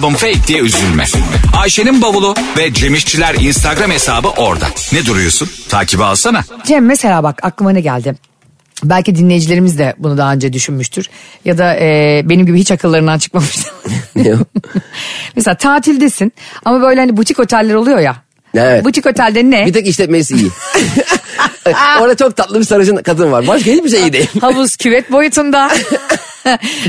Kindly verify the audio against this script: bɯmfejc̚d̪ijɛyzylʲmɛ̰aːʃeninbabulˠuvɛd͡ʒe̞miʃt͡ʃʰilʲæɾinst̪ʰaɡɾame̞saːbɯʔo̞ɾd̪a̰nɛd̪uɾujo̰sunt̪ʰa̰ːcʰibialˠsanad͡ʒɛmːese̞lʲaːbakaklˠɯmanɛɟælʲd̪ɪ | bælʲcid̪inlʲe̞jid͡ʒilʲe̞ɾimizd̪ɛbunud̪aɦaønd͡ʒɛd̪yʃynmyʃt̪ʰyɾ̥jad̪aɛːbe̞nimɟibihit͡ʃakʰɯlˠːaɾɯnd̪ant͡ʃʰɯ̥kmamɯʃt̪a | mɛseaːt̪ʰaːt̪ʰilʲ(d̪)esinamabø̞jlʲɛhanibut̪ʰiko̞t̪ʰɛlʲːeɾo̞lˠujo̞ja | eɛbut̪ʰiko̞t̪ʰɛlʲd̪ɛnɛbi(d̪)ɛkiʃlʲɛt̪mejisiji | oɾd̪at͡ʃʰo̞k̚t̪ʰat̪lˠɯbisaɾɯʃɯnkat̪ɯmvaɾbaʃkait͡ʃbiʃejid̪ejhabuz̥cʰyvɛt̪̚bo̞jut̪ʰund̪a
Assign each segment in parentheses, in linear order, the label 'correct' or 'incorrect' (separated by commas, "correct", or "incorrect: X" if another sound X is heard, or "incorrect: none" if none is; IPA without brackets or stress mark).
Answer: correct, incorrect: t̪